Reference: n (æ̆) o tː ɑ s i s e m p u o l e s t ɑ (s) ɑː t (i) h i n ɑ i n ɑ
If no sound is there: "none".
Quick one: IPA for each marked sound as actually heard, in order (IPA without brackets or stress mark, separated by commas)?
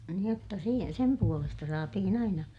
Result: ĭ, s, i